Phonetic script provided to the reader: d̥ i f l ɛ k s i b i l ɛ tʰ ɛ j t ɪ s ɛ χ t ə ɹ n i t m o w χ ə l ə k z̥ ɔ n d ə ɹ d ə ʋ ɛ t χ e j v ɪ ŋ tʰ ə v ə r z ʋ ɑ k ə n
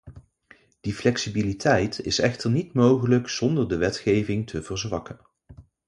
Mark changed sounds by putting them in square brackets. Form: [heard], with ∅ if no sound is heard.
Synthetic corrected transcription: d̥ i f l ɛ k s i b i l [i] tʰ ɛ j t ɪ s ɛ χ t ə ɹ n i t m o w χ ə l ə k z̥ ɔ n d ə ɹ d ə ʋ ɛ t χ e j v ɪ ŋ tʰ ə v ə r z ʋ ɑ k ə n